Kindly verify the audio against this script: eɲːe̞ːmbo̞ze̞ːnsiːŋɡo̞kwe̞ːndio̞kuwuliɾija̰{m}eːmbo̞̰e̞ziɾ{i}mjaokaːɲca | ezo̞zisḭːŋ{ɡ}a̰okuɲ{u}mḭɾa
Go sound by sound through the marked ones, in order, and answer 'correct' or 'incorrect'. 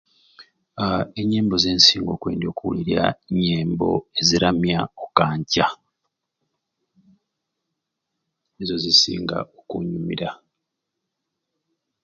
incorrect: ɲ, incorrect: a, correct, correct

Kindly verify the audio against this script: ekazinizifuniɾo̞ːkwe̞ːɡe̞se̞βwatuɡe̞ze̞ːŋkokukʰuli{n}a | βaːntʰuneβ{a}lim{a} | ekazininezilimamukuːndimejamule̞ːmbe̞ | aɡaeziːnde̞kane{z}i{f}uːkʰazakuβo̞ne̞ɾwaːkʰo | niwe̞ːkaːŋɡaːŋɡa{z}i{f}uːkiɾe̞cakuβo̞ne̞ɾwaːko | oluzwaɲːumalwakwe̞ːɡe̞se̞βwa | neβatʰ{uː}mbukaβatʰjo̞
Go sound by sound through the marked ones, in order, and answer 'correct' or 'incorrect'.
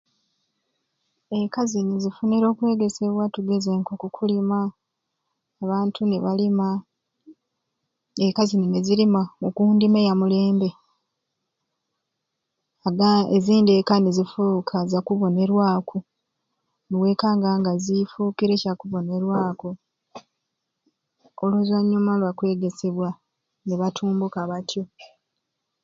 incorrect: m, correct, correct, correct, correct, correct, correct, correct

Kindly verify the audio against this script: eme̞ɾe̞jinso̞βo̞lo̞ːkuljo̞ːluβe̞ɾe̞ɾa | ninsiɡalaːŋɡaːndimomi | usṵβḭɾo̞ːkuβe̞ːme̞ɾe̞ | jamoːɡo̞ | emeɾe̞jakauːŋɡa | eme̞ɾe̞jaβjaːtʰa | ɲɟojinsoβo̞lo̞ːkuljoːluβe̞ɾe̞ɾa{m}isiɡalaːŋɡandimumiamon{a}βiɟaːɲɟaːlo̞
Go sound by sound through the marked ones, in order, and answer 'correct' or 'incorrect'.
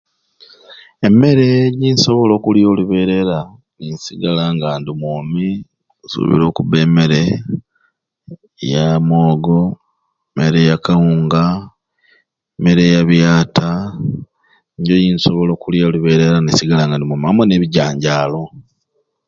incorrect: n, incorrect: e

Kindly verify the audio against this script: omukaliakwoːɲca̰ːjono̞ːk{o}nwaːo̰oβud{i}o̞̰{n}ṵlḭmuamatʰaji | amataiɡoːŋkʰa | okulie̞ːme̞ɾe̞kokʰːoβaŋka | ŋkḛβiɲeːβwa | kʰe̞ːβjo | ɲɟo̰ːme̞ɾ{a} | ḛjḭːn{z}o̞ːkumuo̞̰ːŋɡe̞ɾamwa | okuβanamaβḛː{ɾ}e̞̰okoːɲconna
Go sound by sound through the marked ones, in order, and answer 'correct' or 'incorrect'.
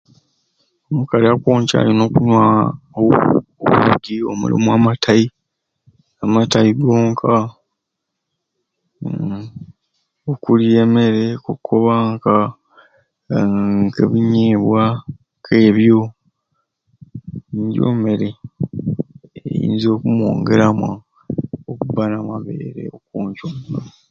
incorrect: u, correct, incorrect: m, incorrect: e, correct, correct

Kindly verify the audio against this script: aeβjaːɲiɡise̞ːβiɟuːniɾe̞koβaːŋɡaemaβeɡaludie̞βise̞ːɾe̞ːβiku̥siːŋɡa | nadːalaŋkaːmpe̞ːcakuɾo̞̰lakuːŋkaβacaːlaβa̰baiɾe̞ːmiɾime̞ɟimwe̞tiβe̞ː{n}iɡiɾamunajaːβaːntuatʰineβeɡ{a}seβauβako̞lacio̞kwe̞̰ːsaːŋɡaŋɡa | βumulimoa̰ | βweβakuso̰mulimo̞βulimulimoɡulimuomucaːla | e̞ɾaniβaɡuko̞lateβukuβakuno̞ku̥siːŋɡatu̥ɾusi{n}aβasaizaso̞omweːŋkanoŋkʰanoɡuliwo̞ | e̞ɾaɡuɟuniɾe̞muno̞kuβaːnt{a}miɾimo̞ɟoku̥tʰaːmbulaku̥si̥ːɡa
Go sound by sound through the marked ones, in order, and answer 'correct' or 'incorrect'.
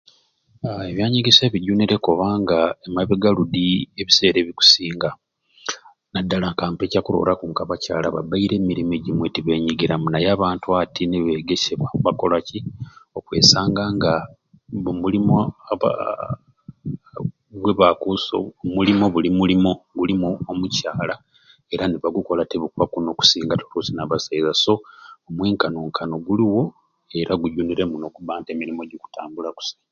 incorrect: ɲ, incorrect: e, correct, incorrect: e

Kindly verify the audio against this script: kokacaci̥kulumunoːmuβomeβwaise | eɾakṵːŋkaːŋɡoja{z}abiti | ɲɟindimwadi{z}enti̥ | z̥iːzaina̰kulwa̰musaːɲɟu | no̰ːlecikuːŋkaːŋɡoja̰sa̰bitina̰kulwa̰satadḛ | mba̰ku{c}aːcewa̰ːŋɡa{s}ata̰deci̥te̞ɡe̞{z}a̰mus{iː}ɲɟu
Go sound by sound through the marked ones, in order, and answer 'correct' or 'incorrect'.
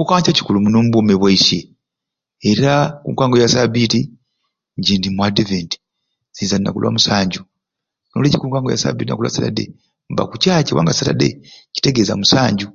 incorrect: s, incorrect: v, correct, correct, correct, incorrect: aː

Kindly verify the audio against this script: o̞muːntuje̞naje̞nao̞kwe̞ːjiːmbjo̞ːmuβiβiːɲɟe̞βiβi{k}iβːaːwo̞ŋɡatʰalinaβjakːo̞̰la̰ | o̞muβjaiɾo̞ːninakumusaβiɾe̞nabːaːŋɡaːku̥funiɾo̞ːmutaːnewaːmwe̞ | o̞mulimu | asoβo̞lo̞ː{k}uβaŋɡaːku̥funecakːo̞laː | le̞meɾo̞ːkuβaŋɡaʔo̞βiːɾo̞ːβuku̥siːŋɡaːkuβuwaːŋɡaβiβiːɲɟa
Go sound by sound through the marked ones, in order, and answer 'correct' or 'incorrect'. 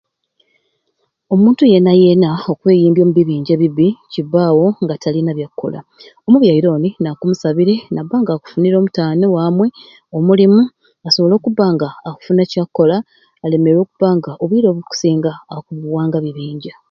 incorrect: c, correct

